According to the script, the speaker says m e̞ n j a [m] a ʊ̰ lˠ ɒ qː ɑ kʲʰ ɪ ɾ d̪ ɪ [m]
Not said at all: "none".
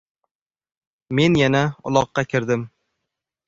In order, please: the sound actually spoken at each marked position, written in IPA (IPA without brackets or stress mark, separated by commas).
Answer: n, m